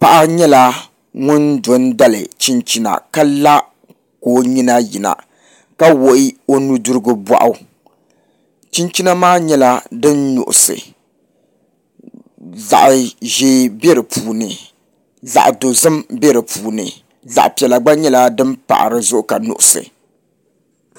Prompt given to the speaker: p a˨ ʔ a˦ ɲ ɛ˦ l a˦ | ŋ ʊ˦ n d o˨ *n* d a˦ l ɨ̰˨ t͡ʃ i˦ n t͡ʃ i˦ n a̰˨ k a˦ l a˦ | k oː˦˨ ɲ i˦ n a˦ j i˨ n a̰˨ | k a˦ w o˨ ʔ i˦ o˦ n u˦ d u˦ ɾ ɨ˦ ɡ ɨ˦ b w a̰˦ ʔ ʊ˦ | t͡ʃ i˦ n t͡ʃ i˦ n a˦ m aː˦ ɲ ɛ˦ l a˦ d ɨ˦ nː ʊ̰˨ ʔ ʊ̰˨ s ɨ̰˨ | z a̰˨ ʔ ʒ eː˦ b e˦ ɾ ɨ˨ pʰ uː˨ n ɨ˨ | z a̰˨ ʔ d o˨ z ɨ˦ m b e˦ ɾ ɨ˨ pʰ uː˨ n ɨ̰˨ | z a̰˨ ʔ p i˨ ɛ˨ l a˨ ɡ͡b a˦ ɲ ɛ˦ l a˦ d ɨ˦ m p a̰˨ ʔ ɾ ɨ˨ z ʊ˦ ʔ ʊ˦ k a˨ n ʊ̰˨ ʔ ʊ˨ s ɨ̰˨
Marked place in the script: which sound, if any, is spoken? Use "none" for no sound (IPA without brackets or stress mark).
n